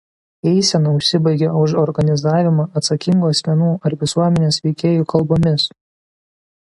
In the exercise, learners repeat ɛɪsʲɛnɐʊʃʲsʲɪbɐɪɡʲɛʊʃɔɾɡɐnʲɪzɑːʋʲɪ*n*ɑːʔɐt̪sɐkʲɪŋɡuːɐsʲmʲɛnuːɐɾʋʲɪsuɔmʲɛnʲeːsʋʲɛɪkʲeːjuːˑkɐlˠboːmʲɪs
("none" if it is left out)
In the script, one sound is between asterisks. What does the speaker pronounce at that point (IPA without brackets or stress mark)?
m